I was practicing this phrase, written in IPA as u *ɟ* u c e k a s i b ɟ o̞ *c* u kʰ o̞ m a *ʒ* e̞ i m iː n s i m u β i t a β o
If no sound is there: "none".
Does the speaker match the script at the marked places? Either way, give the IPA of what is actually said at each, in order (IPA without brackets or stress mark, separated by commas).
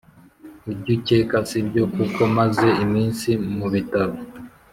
ɟ, k, z